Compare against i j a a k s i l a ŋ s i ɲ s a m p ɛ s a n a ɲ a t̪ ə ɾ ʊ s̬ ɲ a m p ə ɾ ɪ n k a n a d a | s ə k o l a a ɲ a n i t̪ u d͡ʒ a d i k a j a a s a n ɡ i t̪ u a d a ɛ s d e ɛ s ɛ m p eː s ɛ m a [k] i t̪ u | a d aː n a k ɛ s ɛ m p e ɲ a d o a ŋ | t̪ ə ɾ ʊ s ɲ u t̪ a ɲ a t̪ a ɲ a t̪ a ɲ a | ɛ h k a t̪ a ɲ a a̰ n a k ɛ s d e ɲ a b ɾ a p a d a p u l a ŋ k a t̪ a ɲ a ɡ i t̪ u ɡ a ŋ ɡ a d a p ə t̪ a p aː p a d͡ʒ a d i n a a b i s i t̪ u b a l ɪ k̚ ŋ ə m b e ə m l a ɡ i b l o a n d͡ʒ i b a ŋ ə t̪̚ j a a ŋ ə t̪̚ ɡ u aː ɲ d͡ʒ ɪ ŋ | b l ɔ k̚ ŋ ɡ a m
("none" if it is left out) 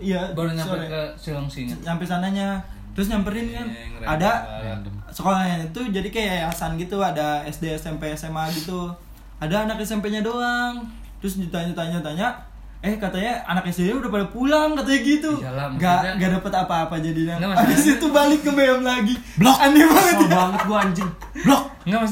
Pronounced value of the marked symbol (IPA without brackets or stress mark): ɡ